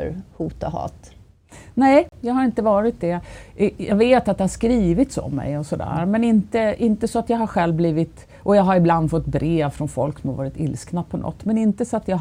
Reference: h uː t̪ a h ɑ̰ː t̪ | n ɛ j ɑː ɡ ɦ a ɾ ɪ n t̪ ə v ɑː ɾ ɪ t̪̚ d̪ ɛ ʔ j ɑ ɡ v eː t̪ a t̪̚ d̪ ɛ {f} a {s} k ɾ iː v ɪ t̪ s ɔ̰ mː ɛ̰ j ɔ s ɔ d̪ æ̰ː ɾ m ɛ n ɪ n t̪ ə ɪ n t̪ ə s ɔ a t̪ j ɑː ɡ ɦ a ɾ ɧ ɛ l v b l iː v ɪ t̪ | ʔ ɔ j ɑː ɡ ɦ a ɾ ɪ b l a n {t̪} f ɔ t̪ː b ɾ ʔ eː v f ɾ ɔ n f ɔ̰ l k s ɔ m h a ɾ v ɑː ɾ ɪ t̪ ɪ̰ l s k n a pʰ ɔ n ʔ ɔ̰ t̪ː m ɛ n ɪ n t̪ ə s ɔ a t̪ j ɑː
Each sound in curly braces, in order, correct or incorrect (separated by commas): incorrect, incorrect, incorrect